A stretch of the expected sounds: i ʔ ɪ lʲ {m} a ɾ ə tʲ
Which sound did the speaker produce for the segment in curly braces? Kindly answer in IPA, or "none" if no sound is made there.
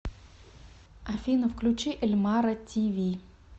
m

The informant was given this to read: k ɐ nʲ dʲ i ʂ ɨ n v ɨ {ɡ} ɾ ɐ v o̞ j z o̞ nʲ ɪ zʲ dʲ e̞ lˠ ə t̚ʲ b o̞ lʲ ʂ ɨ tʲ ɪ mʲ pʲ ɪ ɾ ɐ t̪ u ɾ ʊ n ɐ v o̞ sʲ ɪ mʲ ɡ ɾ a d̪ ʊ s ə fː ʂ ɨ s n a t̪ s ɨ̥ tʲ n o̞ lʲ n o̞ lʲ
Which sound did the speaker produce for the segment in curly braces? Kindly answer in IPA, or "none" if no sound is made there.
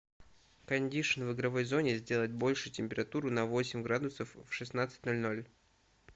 ɡ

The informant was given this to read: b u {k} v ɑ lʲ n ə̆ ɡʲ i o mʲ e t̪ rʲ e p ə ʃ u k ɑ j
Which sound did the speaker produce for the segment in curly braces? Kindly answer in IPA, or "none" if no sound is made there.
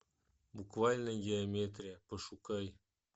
k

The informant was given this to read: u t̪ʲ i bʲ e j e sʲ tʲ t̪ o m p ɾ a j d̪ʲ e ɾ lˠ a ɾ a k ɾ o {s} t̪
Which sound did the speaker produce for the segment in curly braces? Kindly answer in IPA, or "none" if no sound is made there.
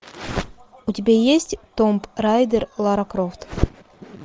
f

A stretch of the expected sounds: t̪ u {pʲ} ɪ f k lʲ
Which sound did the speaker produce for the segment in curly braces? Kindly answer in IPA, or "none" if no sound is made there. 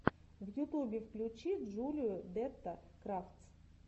bʲ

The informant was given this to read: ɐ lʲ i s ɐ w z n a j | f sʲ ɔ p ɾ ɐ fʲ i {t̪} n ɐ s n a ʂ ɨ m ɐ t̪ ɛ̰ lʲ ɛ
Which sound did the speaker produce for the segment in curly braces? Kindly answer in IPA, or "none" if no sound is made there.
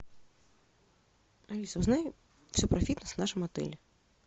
t̪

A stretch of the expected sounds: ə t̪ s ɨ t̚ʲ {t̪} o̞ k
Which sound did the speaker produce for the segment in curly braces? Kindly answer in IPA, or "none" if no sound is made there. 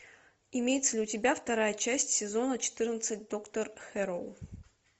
d̪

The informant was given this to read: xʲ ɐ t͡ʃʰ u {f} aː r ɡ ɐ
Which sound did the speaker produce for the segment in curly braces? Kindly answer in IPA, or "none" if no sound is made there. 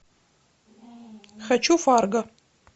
f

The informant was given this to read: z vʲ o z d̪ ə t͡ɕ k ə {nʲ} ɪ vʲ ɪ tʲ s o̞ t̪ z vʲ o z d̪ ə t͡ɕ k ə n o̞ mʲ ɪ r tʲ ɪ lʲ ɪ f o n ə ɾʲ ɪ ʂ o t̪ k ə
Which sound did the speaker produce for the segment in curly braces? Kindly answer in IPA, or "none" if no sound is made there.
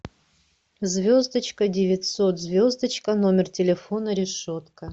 dʲ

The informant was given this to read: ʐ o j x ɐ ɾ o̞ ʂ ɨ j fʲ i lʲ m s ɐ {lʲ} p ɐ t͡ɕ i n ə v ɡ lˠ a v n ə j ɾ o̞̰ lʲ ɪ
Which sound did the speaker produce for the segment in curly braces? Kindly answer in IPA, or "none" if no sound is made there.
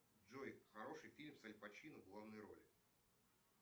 lʲ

